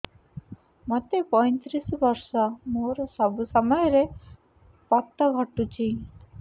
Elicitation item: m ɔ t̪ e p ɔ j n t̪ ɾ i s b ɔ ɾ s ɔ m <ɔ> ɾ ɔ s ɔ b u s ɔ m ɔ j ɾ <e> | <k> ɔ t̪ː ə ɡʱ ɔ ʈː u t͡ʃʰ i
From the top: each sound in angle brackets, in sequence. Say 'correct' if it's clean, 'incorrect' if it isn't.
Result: incorrect: o, correct, incorrect: p

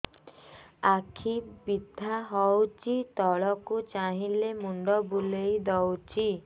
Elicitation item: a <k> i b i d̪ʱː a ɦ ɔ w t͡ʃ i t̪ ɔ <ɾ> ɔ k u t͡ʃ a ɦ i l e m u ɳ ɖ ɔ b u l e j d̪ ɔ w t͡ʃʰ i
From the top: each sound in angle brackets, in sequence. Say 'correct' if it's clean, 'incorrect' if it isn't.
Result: incorrect: kʰ, incorrect: ɭ

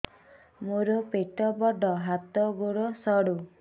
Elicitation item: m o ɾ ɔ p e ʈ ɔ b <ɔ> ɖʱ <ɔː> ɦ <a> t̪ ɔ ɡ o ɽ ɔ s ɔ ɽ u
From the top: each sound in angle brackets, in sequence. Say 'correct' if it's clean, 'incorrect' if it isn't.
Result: correct, incorrect: ɔ, correct

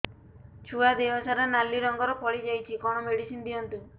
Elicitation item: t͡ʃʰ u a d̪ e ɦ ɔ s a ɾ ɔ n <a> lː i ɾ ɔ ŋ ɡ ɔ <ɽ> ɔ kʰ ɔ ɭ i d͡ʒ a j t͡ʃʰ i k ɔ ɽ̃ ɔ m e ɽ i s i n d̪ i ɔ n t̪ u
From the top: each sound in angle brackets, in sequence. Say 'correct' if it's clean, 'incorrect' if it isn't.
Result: correct, incorrect: ɾ

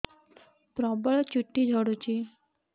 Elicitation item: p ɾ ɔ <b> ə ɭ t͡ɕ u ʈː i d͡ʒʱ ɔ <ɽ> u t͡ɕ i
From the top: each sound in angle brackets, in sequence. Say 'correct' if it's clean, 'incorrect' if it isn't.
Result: correct, correct

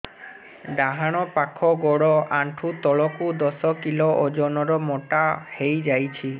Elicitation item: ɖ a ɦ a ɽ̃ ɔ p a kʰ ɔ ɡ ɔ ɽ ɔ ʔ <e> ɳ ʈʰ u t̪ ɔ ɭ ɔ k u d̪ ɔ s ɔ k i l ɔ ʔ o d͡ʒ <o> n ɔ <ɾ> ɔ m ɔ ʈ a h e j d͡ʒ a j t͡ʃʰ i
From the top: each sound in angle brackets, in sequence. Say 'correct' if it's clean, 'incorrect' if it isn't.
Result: incorrect: a, incorrect: ɔ, correct

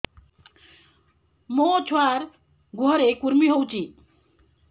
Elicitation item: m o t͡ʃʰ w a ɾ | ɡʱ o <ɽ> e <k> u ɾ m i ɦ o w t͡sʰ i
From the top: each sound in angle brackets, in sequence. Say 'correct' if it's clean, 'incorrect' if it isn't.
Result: incorrect: ɾ, correct

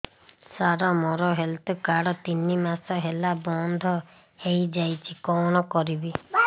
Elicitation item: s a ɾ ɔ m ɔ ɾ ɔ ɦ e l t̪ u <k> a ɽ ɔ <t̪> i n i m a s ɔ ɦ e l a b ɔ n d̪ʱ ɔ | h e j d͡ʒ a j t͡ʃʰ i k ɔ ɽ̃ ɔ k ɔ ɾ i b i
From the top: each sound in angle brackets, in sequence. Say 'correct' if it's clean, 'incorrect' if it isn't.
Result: correct, correct

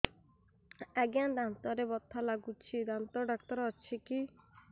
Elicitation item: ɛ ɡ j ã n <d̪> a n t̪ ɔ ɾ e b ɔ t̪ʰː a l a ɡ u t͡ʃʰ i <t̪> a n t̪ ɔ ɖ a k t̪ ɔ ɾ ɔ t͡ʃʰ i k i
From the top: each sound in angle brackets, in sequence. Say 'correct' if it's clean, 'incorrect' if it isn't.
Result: correct, incorrect: d̪

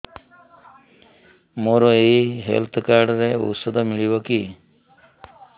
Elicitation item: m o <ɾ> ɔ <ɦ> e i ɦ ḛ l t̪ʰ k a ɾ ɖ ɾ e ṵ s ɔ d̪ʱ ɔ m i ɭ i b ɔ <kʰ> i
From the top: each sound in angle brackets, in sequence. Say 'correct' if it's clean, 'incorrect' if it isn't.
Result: correct, incorrect: none, incorrect: k

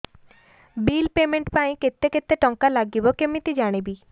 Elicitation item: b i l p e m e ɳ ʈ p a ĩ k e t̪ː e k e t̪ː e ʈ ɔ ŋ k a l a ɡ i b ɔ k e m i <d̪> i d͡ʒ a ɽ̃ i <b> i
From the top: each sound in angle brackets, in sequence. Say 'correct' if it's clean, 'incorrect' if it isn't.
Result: incorrect: t̪, correct

